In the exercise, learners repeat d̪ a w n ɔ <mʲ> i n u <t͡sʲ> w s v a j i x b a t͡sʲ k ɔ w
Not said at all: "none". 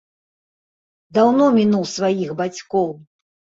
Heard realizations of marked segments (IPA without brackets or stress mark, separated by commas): mʲ, none